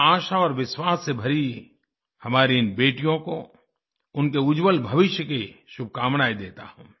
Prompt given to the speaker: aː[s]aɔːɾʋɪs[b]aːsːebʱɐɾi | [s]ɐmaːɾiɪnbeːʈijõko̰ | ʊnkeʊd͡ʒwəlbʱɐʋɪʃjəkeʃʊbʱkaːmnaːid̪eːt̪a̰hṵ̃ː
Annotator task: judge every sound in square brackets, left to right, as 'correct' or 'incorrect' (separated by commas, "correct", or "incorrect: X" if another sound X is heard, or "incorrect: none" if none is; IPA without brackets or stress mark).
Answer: incorrect: ʃ, incorrect: w, incorrect: h